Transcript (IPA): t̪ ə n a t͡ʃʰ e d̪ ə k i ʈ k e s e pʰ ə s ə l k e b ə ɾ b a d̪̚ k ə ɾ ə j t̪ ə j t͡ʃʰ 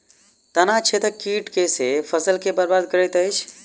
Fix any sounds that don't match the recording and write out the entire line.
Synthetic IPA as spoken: t̪ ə n a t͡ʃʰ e t̪ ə k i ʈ k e s e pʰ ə s ə l k e b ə ɾ b a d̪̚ k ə ɾ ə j t̪ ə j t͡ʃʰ

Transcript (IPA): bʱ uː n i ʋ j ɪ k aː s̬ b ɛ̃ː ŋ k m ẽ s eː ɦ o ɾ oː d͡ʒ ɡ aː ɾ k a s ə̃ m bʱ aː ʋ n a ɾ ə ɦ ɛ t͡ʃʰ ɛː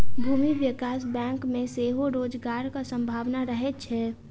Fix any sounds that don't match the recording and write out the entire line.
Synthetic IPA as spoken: bʱ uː m i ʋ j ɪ k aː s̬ b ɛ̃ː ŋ k m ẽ s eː ɦ o ɾ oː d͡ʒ ɡ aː ɾ k a s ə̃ m bʱ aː ʋ n a ɾ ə ɦ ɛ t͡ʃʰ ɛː

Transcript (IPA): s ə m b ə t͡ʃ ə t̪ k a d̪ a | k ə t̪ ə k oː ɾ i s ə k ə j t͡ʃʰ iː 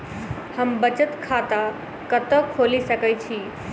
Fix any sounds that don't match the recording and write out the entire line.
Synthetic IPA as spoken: h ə m b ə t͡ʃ ə t̪ kʰ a t̪ a | k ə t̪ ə kʰ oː l i s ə k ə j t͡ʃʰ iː

